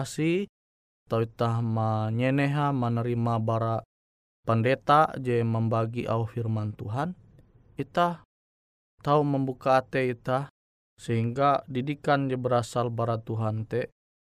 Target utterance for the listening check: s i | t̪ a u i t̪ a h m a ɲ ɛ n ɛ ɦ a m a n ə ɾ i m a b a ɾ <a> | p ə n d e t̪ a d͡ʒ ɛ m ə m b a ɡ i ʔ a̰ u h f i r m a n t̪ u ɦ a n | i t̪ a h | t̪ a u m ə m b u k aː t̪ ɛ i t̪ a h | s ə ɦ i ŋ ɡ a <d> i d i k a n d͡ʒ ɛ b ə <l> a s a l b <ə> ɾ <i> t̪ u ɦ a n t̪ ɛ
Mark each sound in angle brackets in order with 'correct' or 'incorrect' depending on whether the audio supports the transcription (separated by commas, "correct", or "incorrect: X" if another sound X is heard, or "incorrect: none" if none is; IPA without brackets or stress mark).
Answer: correct, correct, incorrect: ɾ, incorrect: a, incorrect: a